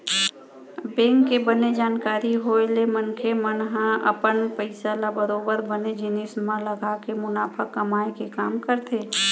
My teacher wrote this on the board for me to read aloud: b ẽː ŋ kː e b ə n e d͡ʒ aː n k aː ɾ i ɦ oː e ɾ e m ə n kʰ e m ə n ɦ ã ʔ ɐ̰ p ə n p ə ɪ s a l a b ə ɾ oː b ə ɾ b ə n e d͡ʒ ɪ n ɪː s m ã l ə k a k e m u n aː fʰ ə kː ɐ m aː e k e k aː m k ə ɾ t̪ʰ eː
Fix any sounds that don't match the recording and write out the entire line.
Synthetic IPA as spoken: b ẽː ŋ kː e b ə n e d͡ʒ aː n k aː ɾ i ɦ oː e l e m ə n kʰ e m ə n ɦ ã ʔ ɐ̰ p ə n p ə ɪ s a l a b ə ɾ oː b ə ɾ b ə n e d͡ʒ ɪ n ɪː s m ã l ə ɡ a k e m ʊ n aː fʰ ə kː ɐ m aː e k e k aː m k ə ɾ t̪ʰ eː